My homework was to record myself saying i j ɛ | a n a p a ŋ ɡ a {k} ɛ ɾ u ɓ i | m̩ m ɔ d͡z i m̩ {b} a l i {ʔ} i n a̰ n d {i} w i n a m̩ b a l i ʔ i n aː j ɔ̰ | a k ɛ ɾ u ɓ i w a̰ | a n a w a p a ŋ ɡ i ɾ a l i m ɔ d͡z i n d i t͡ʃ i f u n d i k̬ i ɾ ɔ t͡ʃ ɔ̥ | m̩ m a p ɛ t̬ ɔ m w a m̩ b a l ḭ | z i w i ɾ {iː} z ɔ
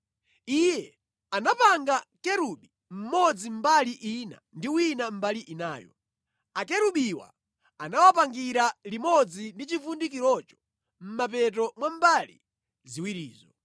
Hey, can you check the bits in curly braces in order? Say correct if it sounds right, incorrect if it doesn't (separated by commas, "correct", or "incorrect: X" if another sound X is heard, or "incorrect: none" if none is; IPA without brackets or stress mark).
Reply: correct, correct, correct, correct, correct